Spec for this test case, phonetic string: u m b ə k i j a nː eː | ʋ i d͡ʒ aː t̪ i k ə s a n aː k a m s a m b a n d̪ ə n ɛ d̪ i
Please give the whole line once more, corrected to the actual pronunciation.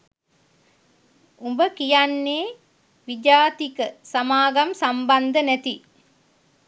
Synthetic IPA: u m b ə k i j a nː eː | ʋ i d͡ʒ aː t̪ i k ə s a m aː ɡ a m s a m b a n d̪ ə n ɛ t̪ i